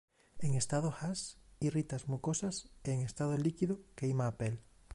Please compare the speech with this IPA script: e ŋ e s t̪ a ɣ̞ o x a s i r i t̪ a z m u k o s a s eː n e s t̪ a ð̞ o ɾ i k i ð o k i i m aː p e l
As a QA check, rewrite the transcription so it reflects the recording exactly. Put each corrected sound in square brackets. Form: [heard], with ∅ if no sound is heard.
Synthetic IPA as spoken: e ŋ e s t̪ a [ð̞] o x a s i r i t̪ a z m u k o s a s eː [ŋ] e s t̪ a ð̞ o [l] i k i ð o k [e] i m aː p e l